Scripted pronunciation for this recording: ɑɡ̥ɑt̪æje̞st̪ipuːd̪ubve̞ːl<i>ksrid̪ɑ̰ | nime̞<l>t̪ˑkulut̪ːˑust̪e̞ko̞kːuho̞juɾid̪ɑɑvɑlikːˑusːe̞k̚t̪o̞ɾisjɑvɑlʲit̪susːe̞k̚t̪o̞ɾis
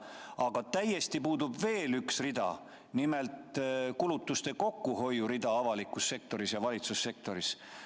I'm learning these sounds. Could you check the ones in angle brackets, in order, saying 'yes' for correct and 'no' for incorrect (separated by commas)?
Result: no, yes